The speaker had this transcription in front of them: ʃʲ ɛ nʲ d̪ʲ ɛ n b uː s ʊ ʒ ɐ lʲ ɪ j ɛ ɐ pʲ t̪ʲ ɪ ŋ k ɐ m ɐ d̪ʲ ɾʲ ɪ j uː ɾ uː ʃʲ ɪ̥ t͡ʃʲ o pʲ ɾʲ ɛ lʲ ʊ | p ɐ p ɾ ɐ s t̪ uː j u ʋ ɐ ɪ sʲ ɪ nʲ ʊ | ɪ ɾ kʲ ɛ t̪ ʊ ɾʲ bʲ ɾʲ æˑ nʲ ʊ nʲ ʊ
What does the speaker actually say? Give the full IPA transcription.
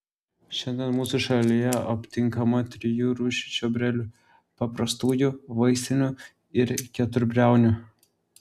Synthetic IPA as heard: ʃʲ ɛ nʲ d̪ʲ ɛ n m uː s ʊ ʃ ɐ lʲ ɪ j ɛ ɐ pʲ t̪ʲ ɪ ŋ k ɐ m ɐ t̪ʲ ɾʲ ɪ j uː ɾ uː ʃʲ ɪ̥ t͡ʃʲ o bʲ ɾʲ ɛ lʲ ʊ | p ɐ p ɾ ɐ s t̪ uː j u ʋ ɐ ɪ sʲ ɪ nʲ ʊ | ɪ ɾ kʲ ɛ t̪ ʊ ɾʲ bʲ ɾʲ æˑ ʊ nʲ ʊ